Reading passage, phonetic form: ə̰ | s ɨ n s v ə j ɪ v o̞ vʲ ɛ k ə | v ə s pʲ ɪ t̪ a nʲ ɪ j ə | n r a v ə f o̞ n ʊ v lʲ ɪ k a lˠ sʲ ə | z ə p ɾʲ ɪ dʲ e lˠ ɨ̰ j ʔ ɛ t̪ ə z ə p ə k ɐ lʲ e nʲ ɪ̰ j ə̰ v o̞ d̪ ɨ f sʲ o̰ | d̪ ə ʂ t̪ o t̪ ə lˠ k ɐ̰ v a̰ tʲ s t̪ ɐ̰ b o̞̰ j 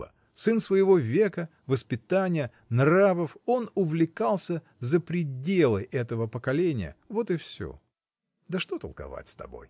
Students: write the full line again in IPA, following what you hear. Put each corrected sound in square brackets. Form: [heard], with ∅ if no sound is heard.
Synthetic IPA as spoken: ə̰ | s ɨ n s v ə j ɪ v o̞ vʲ [e] k ə | v ə s pʲ ɪ t̪ a nʲ ɪ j ə | n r a v ə f o̞ n ʊ v lʲ ɪ k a lˠ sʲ ə | z ə p ɾʲ ɪ dʲ e lˠ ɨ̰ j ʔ ɛ t̪ ə [v] ə p ə k ɐ lʲ e nʲ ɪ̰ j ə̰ v o̞ [t̪] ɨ f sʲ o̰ | d̪ ə ʂ t̪ o t̪ ə lˠ k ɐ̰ v a̰ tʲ s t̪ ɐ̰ b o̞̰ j

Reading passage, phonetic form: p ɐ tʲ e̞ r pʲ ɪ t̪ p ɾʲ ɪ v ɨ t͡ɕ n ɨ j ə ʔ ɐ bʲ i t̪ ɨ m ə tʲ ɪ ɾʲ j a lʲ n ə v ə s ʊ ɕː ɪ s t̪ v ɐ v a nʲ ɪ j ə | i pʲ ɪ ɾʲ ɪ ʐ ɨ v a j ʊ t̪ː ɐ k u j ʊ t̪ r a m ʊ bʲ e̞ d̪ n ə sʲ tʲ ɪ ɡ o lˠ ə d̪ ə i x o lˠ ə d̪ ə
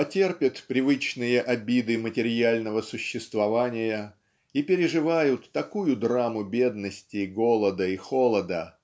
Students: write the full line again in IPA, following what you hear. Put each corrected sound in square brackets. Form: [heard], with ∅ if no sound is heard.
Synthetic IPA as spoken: p ɐ tʲ e̞ r pʲ ɪ t̪ p ɾʲ ɪ v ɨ t͡ɕ n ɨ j ə ʔ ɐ bʲ i [d̪] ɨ m ə tʲ ɪ ɾʲ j a lʲ n ə v ə s ʊ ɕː ɪ s t̪ v ɐ v a nʲ ɪ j ə | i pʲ ɪ ɾʲ ɪ ʐ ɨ v a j ʊ t̪ː ɐ k u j ʊ [d̪] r a m ʊ bʲ e̞ d̪ n ə sʲ tʲ ɪ ɡ o lˠ ə d̪ ə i x o lˠ ə d̪ ə

